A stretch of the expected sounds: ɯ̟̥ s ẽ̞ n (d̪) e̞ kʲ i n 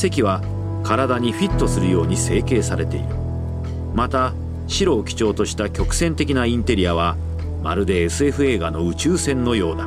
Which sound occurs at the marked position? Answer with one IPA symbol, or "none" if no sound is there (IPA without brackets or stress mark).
t̪